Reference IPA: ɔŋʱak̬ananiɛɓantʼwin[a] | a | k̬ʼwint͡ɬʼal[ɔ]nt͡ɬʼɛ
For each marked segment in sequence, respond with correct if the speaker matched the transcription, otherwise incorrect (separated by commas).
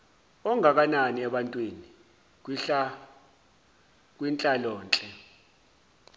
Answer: incorrect, incorrect